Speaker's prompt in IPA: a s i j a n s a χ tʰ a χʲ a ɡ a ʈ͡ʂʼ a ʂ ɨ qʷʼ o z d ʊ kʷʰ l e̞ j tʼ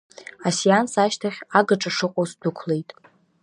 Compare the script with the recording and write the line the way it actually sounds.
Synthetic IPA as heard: a s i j a n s a ʃ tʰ a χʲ a ɡ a ʈ͡ʂʼ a ʂ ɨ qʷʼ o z d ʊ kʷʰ l e̞ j tʼ